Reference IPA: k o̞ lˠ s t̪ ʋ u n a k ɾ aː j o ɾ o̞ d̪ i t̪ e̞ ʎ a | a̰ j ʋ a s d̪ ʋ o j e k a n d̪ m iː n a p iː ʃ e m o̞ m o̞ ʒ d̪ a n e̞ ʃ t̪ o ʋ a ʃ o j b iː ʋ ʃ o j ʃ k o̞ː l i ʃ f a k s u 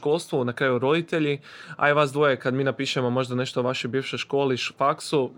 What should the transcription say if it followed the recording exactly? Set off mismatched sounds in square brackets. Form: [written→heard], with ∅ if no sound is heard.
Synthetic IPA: k o̞ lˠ s t̪ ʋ u n a k ɾ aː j [o→u] ɾ o̞ d̪ i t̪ e̞ ʎ [a→i] | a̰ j ʋ a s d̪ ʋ o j e k a [n→∅] d̪ m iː n a p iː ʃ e m o̞ m o̞ ʒ d̪ a n e̞ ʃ t̪ o ʋ a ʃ o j b iː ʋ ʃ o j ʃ k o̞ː l i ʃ f a k s u